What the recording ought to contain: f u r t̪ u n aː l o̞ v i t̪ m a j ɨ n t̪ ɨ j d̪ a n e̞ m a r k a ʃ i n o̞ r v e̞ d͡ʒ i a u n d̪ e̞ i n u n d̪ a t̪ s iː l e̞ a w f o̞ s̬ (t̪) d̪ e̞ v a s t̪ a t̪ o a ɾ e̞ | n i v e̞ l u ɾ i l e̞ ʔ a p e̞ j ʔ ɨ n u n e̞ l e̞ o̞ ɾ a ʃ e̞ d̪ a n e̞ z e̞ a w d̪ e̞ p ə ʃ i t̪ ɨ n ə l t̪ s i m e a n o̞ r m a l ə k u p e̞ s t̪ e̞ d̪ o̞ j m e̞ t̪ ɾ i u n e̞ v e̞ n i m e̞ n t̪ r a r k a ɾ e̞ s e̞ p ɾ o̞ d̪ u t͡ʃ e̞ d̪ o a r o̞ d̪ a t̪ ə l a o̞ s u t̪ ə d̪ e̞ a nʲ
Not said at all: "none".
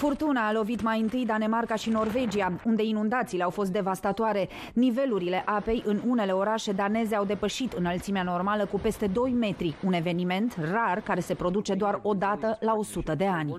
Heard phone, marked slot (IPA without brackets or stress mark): t̪